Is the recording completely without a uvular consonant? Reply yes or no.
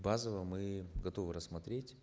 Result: yes